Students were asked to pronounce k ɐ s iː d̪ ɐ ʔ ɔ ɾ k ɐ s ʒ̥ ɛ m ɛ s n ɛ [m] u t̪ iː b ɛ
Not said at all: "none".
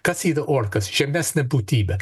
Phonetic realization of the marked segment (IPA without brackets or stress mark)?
b